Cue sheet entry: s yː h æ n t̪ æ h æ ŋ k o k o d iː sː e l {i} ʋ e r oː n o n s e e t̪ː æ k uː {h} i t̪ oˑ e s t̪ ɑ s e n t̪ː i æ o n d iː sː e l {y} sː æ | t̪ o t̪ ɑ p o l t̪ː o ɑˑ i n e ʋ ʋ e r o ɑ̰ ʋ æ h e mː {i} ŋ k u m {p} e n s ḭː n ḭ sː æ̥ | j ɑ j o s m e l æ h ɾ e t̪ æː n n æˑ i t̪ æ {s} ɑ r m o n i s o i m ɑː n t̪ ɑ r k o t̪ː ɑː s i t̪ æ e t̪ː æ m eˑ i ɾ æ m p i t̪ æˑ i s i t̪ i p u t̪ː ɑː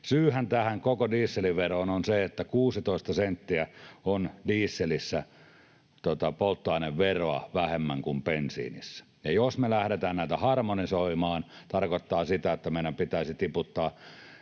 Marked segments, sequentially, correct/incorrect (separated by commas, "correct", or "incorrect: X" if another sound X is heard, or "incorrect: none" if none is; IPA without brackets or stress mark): correct, incorrect: s, incorrect: i, incorrect: æ, correct, incorrect: h